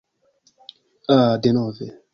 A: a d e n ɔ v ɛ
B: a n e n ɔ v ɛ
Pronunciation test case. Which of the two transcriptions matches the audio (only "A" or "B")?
A